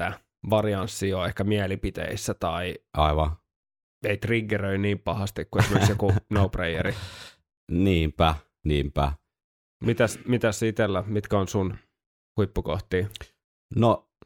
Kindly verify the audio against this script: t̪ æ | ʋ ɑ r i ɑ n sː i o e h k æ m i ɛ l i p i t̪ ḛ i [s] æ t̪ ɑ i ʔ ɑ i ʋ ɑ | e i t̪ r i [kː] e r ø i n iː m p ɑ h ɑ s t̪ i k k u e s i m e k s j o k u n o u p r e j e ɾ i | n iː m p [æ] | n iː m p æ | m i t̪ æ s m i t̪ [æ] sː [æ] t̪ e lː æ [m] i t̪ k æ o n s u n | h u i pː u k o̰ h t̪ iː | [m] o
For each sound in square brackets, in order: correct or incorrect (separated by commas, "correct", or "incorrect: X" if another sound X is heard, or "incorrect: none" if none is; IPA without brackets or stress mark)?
incorrect: sː, incorrect: ɡː, correct, correct, incorrect: i, correct, incorrect: n